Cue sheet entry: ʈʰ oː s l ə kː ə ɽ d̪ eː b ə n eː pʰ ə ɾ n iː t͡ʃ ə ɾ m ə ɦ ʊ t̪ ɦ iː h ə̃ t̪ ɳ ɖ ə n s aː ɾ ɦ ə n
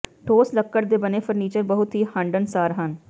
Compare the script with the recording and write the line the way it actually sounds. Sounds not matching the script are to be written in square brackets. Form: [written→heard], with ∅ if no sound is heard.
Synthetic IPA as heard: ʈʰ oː s l ə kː ə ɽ d̪ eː b ə n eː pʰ ə ɾ n iː t͡ʃ ə ɾ [m→b] ə ɦ ʊ t̪ ɦ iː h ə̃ [t̪→∅] ɳ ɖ ə n s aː ɾ ɦ ə n